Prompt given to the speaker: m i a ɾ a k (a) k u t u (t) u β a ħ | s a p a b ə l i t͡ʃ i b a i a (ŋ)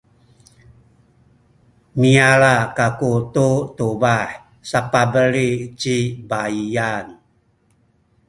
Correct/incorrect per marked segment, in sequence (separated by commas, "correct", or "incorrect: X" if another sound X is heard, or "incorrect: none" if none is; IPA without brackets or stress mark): correct, correct, incorrect: n